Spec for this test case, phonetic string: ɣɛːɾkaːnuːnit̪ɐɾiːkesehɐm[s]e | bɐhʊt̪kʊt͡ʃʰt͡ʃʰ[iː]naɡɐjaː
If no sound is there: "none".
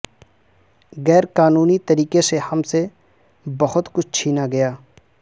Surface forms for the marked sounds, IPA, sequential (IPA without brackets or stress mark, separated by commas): s, iː